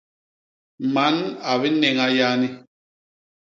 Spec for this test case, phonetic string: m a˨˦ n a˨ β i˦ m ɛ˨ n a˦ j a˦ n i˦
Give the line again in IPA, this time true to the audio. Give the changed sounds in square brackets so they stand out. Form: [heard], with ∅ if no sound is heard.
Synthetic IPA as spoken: m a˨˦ n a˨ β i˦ [n] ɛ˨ [ŋ] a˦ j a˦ n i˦

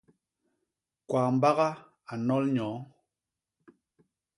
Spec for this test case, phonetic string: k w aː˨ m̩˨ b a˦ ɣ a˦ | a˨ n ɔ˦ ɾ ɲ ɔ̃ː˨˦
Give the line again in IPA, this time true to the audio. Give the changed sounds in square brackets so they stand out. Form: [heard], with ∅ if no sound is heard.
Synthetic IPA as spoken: k w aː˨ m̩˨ b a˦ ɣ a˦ | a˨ n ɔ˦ [l] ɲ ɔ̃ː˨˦

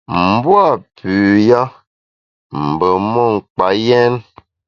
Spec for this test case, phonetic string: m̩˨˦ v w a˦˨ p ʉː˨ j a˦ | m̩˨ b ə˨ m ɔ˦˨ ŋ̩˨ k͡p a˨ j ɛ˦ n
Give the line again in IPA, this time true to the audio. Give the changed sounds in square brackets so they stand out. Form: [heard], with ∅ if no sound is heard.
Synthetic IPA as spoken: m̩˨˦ [b] w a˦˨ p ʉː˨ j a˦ | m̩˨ b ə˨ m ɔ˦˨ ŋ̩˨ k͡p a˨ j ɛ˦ n

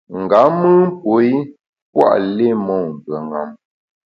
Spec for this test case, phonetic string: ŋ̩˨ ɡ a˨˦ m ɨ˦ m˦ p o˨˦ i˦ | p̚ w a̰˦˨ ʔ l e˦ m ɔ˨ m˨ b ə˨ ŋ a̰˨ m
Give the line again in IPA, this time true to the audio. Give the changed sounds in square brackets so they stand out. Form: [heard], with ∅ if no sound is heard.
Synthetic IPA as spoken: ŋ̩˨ ɡ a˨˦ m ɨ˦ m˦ p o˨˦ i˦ | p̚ w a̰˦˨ ʔ l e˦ m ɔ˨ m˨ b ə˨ ŋ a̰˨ m

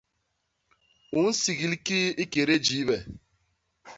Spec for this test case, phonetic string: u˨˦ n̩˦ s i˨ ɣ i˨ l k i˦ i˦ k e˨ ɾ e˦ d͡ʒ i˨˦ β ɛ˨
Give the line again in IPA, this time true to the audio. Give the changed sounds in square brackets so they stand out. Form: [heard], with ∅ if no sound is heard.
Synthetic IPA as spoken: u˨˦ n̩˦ s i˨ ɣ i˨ l k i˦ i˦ k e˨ ɾ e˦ d͡ʒ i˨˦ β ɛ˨

